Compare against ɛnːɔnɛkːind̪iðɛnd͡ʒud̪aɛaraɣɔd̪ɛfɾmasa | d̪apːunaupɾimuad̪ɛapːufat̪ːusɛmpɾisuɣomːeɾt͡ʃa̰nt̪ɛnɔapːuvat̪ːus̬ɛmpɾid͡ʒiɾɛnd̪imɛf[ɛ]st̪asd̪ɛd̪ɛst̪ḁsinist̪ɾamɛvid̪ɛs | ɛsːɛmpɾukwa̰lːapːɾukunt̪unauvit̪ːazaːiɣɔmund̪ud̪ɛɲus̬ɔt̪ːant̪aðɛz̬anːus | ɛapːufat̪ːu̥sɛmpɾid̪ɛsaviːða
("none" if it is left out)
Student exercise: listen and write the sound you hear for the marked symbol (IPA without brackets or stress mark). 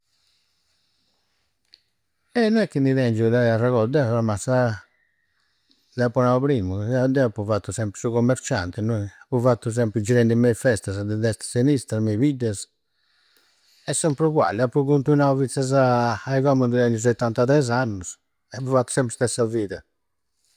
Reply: ɛ